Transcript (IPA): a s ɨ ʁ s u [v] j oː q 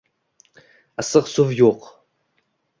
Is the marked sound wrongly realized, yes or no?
no